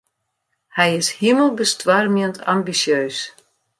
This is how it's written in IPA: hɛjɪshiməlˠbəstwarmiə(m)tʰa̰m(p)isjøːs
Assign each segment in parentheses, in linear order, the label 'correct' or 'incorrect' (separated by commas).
incorrect, incorrect